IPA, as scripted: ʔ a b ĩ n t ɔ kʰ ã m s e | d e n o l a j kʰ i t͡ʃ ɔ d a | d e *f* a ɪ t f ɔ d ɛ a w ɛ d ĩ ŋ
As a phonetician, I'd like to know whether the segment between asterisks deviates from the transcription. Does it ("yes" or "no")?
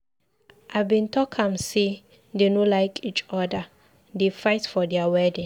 no